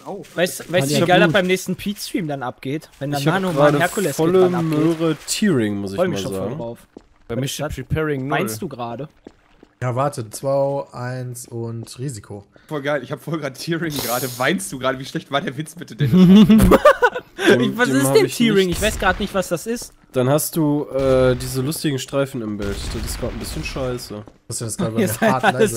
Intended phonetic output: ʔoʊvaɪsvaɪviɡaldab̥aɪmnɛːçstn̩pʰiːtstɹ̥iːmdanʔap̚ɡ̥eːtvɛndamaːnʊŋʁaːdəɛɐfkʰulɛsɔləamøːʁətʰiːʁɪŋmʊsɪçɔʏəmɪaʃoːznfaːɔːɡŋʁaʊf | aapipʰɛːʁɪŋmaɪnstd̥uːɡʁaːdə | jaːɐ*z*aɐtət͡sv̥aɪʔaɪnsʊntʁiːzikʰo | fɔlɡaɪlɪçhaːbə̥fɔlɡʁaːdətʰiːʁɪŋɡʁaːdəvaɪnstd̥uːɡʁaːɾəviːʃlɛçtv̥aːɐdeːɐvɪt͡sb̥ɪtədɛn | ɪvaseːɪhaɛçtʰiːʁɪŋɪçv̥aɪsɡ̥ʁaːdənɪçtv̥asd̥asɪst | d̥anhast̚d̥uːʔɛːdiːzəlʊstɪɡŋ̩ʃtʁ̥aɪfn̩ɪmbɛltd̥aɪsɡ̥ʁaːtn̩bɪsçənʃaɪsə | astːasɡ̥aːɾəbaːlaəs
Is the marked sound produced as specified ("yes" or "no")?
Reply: no